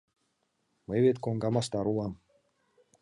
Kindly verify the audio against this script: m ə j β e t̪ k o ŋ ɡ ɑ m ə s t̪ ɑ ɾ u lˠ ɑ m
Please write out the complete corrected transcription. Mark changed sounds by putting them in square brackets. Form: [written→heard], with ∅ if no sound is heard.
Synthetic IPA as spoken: m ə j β e t̪ k o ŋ ɡ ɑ m [ə→ɑ] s t̪ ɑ ɾ u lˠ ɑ m